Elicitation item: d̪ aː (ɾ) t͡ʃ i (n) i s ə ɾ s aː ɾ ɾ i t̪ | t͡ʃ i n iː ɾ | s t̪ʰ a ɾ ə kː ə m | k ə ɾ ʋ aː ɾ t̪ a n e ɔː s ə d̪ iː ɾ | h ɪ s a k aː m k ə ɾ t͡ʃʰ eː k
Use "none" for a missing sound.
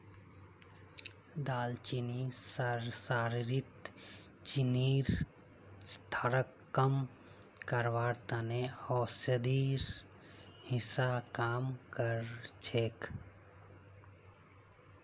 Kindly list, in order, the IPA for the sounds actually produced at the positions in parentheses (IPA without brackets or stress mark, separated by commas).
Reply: l, n